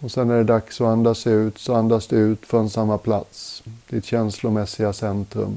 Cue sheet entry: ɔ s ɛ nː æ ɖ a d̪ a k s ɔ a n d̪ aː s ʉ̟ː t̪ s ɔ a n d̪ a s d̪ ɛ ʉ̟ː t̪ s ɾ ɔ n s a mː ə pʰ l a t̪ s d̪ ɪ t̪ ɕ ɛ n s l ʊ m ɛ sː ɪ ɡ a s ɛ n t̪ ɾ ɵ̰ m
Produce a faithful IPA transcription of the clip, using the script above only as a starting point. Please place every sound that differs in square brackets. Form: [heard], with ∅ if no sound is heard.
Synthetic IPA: ɔ s ɛ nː æ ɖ [ɛ] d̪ a k s ɔ a n d̪ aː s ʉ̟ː t̪ s ɔ a n d̪ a s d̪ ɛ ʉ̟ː t̪ [f] ɾ ɔ n s a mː [a] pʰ l a t̪ s d̪ ɪ t̪ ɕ ɛ n s l ʊ m ɛ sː ɪ ɡ a s ɛ n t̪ ɾ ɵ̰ m